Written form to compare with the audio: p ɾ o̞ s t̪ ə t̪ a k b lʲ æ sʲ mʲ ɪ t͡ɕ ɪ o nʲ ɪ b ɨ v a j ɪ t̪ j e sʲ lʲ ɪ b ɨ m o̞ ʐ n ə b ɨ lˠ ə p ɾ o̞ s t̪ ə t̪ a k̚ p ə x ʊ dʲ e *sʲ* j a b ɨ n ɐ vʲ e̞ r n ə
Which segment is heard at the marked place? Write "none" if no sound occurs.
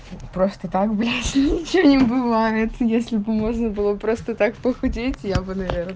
tʲ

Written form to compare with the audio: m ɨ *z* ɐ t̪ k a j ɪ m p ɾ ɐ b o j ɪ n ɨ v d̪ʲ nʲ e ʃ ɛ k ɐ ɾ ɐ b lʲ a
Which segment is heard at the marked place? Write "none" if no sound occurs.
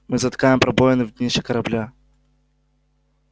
z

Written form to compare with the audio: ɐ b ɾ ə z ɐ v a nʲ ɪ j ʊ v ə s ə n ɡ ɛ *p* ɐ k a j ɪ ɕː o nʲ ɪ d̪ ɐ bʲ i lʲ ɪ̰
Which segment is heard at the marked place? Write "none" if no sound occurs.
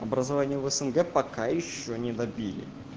p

